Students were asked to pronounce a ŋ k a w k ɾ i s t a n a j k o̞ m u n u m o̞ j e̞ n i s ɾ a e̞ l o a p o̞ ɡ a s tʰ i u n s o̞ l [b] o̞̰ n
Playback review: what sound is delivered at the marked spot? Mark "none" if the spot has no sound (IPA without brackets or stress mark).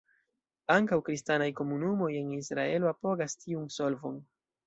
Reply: v